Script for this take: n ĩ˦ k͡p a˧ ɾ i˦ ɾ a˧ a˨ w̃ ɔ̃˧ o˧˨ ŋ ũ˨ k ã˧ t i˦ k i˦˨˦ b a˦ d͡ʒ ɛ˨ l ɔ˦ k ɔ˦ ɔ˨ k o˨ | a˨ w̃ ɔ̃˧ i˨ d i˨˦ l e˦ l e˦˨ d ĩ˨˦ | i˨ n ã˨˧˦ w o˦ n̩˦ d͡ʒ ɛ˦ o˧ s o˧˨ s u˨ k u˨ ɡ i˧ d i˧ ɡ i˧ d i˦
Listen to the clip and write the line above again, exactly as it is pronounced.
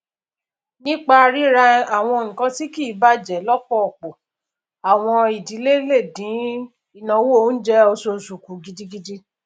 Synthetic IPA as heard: n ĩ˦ k͡p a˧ ɾ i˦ ɾ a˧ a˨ w̃ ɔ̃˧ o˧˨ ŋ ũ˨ k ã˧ t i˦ k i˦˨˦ b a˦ d͡ʒ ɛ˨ l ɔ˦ k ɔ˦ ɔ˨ k͡p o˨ | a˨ w̃ ɔ̃˧ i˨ d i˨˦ l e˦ l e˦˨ d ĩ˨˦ | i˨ n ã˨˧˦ w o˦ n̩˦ d͡ʒ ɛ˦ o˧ s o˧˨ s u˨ k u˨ ɡ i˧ d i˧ ɡ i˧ d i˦